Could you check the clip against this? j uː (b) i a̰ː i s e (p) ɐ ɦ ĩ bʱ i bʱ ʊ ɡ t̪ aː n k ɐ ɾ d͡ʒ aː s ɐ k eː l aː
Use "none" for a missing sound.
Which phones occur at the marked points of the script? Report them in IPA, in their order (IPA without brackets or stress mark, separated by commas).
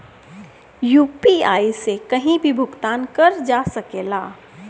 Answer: p, k